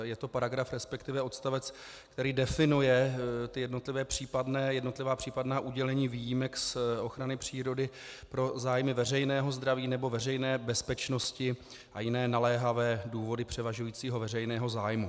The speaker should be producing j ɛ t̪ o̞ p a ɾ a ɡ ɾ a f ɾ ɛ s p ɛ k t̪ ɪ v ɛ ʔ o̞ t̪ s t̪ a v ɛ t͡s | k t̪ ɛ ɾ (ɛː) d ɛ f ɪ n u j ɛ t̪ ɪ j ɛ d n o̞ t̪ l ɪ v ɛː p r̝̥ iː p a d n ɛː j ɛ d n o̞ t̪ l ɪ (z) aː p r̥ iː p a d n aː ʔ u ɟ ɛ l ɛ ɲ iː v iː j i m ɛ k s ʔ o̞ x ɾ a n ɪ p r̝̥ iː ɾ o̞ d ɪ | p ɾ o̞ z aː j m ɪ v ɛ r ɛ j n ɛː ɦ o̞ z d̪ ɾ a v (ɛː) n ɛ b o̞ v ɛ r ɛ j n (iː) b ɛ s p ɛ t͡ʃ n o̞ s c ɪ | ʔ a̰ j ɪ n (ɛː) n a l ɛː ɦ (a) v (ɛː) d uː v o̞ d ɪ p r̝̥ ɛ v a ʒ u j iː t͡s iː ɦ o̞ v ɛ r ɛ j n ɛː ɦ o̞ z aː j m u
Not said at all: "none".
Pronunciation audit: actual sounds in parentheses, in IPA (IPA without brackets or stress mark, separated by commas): iː, v, iː, ɛː, ɛː, a, ɛː